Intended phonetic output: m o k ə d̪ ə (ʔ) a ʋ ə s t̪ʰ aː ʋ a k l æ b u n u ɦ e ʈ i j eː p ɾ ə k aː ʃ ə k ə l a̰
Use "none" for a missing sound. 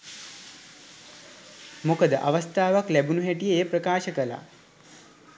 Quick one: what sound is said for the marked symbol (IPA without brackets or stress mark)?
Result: ʔ